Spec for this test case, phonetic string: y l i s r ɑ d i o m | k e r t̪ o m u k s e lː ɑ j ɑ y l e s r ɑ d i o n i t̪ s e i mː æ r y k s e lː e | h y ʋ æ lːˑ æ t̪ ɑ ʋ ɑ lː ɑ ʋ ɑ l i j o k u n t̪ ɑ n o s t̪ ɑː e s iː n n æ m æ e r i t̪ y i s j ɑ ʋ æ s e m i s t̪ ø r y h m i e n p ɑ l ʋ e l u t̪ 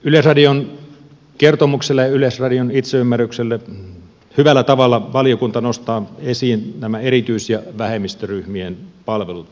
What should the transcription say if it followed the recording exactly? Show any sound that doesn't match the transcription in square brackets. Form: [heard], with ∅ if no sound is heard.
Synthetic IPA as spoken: y l [e] s r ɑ d i o [n] | k e r t̪ o m u k s e lː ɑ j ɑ y l e s r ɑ d i o n i t̪ s e [y] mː æ r y k s e lː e | h y ʋ æ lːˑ æ t̪ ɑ ʋ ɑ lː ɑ ʋ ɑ l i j o k u n t̪ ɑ n o s t̪ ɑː e s iː n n æ m æ e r i t̪ y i s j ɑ ʋ æ [h] e m i s t̪ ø r y h m i e n p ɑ l ʋ e l u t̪